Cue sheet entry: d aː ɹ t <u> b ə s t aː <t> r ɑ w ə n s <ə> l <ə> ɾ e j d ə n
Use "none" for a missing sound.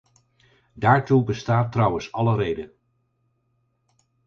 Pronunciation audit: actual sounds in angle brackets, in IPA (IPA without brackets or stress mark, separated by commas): u, t, ɑ, ə